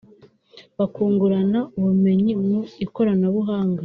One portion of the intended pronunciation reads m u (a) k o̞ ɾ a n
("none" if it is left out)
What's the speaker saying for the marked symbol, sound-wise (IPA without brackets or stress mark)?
i